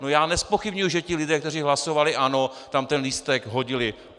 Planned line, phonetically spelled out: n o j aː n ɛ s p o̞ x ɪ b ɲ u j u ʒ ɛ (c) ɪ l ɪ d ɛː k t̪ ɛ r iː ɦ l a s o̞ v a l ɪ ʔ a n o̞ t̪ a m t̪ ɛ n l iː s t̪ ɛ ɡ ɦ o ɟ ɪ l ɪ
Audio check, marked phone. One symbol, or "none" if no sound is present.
c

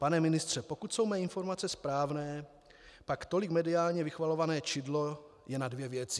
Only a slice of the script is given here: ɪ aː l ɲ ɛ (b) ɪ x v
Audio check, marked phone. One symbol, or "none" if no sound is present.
v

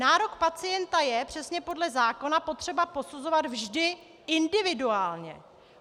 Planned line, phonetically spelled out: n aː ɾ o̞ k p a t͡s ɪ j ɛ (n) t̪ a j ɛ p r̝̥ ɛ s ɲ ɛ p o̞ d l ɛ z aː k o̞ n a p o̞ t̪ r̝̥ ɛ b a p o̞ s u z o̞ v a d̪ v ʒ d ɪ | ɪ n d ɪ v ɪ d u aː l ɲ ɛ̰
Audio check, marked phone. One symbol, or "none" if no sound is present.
n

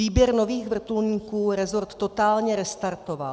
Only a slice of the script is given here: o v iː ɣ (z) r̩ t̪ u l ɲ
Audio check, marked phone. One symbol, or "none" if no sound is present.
v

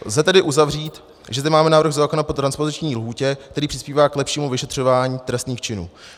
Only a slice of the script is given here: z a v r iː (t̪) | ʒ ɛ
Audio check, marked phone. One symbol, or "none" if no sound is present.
t̪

